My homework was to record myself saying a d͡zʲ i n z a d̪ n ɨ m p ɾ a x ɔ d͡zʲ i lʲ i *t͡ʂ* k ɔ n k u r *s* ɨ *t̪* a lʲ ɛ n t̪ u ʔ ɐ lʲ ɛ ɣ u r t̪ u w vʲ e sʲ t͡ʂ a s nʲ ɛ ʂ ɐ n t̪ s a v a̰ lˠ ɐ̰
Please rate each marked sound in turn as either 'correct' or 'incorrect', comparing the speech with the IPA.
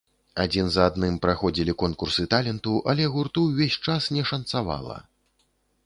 incorrect: none, correct, correct

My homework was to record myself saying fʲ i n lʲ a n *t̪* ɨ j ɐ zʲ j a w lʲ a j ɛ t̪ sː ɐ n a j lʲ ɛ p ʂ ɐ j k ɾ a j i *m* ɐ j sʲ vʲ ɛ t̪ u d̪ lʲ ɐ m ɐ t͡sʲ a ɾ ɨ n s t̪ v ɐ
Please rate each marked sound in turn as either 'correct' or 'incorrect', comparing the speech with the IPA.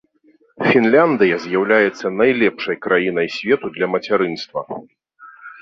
incorrect: d̪, incorrect: n

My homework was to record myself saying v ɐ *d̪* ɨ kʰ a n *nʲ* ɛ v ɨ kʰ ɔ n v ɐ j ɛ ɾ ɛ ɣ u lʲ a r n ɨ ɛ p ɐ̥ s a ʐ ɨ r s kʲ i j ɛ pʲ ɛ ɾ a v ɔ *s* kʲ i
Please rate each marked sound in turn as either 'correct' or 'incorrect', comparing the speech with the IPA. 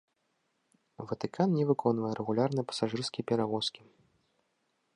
incorrect: t̪, correct, correct

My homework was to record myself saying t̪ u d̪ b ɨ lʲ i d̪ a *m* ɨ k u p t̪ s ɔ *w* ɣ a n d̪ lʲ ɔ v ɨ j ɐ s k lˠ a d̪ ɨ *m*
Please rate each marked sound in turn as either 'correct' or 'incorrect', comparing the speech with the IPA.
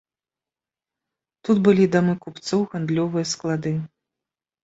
correct, correct, incorrect: none

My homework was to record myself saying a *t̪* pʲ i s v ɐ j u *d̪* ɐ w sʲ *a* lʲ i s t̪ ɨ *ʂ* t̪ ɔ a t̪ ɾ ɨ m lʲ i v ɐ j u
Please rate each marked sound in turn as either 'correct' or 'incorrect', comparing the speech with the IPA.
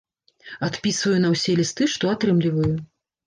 correct, incorrect: n̪, incorrect: ɛ, correct

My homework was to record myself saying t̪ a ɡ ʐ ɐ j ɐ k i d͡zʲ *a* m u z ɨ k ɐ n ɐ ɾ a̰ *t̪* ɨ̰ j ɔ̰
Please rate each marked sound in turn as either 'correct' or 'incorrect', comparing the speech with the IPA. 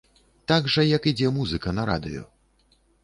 incorrect: ɛ, incorrect: d̪

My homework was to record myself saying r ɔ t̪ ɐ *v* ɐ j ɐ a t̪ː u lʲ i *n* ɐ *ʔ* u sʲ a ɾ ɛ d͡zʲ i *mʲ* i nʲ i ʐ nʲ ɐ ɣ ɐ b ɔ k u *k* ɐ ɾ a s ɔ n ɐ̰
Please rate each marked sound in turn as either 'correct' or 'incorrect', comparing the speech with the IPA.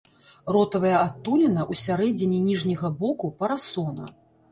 correct, correct, correct, incorrect: nʲ, incorrect: p

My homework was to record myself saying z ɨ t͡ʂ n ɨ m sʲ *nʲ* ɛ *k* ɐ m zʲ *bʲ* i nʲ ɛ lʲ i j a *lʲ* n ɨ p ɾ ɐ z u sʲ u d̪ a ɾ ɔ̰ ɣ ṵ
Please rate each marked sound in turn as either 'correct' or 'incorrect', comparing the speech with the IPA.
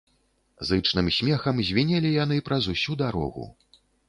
incorrect: mʲ, incorrect: x, incorrect: vʲ, incorrect: none

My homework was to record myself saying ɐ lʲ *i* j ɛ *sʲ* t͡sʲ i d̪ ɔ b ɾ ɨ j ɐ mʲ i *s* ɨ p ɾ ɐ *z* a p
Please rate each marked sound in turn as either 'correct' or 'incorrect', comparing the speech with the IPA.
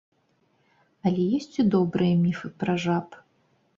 incorrect: ɛ, correct, incorrect: f, incorrect: ʐ

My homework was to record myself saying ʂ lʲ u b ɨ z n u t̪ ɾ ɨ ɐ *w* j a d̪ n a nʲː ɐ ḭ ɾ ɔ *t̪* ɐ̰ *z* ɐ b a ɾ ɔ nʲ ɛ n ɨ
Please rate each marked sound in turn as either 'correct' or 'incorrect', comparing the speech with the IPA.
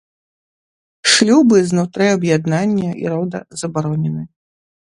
incorrect: b, incorrect: d̪, correct

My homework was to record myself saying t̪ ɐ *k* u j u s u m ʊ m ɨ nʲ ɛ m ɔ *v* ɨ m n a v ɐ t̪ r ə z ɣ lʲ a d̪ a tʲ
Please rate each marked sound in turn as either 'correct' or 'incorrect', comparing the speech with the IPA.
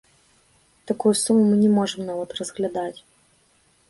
correct, incorrect: ʐ

